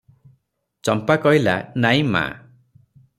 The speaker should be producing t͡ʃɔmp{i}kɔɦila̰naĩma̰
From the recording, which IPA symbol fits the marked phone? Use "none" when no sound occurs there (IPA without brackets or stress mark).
a